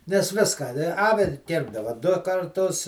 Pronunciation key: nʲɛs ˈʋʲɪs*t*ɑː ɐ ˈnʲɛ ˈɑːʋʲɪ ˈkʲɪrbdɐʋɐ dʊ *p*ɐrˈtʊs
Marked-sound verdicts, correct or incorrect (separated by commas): incorrect, incorrect